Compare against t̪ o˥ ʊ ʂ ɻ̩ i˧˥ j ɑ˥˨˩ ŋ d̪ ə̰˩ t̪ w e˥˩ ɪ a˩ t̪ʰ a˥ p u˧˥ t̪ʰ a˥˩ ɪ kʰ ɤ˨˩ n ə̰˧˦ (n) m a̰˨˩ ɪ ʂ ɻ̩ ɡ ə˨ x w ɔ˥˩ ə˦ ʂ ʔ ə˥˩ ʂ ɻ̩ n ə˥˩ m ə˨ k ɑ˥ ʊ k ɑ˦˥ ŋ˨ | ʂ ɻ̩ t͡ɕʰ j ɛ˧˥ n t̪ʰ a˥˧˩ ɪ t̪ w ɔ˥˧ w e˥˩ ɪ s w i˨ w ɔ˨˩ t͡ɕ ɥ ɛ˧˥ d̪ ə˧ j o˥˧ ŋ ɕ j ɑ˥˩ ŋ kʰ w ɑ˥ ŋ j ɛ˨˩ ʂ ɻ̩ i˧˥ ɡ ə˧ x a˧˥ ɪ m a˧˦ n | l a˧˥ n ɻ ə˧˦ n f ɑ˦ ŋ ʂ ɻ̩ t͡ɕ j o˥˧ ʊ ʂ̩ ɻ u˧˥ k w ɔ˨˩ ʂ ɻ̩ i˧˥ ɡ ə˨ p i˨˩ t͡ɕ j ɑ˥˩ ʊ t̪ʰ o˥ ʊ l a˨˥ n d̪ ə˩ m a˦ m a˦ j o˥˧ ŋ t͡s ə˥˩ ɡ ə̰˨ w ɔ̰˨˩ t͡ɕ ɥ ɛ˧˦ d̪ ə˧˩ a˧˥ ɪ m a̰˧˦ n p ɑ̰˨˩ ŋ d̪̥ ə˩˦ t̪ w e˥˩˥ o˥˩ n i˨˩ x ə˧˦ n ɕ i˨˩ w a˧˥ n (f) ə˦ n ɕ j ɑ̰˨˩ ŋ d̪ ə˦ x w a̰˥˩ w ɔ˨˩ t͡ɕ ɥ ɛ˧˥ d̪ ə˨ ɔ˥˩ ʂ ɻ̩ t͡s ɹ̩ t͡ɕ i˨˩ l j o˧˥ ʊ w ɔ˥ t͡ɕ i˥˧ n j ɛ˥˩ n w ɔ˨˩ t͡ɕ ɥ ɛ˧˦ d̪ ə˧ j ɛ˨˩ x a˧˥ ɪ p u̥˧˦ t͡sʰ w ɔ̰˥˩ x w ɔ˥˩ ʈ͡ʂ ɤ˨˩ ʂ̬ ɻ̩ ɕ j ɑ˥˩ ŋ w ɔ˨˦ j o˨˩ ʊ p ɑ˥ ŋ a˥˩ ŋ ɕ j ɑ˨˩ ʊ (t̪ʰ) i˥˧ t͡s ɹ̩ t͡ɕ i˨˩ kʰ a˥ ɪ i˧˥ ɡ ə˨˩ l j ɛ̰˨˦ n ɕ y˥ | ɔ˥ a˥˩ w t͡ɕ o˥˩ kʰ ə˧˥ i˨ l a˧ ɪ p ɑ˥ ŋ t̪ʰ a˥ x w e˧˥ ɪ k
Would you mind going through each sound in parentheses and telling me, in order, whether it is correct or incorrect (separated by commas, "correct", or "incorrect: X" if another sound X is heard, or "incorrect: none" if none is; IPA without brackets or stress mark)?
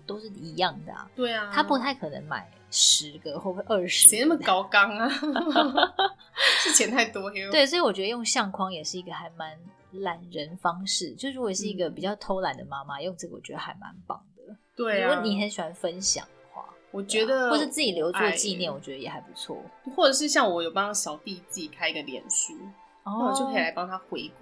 incorrect: ŋ, correct, incorrect: t̪